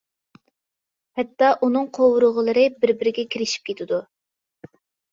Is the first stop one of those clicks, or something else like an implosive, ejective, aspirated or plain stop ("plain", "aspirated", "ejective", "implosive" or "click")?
plain